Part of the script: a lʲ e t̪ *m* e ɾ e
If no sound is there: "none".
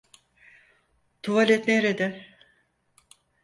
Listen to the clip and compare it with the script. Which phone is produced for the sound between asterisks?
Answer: n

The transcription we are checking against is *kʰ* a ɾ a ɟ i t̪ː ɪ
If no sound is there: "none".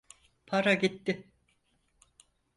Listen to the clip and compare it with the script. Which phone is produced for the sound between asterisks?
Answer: pʰ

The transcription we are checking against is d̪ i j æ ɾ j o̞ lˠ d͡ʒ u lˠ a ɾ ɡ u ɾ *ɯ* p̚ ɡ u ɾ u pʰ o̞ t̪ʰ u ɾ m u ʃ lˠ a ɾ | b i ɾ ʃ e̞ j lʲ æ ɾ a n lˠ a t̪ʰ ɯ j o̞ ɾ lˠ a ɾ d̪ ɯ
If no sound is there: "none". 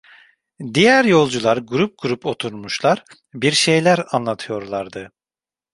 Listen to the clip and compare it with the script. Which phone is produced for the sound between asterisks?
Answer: u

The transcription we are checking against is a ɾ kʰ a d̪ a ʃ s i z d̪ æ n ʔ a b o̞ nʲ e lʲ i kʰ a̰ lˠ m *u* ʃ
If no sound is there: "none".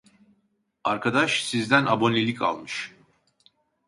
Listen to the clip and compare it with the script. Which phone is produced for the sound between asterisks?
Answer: ɯ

